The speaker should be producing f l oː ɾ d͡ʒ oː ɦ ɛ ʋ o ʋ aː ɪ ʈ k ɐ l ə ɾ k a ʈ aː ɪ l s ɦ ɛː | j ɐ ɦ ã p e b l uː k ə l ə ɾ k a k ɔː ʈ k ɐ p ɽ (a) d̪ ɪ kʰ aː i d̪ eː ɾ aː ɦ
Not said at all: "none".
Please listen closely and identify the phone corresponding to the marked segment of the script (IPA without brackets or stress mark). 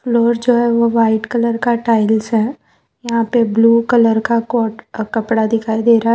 a